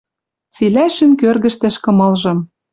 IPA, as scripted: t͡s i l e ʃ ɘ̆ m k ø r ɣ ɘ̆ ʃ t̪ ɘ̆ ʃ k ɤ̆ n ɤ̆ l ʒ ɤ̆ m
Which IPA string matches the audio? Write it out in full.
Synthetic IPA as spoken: t͡s i l æ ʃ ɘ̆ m k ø r ɣ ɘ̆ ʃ t̪ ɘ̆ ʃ k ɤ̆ m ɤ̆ l ʒ ɤ̆ m